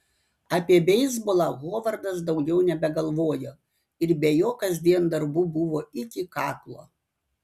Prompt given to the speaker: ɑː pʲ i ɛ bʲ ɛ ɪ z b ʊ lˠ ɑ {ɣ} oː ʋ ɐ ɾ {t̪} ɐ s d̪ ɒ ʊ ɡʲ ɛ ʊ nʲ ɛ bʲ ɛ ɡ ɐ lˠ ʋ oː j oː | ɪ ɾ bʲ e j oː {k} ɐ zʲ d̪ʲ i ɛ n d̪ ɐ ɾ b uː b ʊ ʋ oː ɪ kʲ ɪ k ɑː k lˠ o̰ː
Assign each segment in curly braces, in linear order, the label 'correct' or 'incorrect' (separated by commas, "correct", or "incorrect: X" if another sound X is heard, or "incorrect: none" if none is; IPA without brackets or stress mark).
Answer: correct, incorrect: d̪, correct